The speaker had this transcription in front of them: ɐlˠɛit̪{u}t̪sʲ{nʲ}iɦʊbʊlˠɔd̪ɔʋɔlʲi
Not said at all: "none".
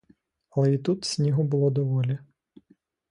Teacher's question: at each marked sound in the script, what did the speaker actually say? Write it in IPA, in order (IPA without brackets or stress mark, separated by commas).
u, nʲ